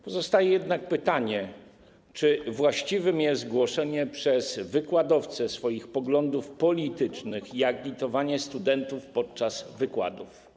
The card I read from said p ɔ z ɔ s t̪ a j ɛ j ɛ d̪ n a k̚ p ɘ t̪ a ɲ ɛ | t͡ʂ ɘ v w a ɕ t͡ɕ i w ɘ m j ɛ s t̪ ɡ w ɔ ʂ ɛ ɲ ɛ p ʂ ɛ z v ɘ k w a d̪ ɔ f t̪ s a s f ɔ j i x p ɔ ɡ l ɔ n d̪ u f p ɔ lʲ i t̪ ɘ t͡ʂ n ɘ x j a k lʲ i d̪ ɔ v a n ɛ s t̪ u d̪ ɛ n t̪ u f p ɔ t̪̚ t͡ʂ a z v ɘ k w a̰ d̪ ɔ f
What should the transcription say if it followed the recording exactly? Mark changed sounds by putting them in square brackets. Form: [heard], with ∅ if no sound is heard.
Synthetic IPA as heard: p ɔ z ɔ s t̪ a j ɛ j ɛ d̪ n a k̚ p ɘ t̪ a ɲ ɛ | t͡ʂ ɘ v w a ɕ t͡ɕ i [v] ɘ m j ɛ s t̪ ɡ w ɔ ʂ ɛ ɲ ɛ p ʂ ɛ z v ɘ k w a d̪ ɔ f t̪ s [ɛ] s f ɔ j i x p ɔ ɡ l ɔ n d̪ u f p ɔ lʲ i t̪ ɘ t͡ʂ n ɘ x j a k lʲ i [t̪] ɔ v a [ɲ] ɛ s t̪ u d̪ ɛ n t̪ u f p ɔ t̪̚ t͡ʂ a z v ɘ k w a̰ d̪ [u] f